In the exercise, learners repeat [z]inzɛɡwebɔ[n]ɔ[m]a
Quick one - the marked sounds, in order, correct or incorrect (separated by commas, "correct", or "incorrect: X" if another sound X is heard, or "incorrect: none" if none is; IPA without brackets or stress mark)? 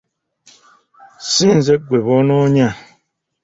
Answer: incorrect: s, correct, incorrect: ɲ